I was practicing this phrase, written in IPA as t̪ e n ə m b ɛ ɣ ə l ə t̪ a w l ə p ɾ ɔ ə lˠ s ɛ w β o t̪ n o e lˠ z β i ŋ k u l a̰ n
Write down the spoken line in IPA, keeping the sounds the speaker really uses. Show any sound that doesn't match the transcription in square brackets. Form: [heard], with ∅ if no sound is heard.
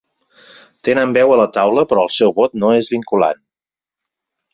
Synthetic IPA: t̪ e n ə m b ɛ [w] ə l ə t̪ a w l ə p ɾ ɔ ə lˠ s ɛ w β o t̪ n o e [∅] z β i ŋ k u l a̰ n